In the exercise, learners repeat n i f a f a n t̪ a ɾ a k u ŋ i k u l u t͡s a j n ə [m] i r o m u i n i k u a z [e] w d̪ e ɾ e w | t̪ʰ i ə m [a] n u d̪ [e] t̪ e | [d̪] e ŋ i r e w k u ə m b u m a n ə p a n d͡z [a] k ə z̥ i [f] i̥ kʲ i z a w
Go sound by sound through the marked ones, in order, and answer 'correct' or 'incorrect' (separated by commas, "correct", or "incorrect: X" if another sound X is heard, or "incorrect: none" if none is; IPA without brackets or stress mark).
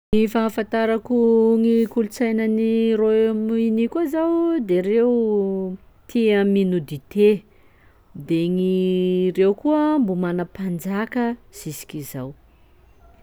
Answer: incorrect: n, incorrect: a, incorrect: i, incorrect: i, correct, correct, incorrect: s